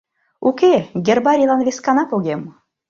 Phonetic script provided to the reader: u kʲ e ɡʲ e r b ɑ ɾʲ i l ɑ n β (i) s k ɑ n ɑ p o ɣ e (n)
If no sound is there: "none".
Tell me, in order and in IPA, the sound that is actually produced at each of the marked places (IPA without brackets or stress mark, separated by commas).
e, m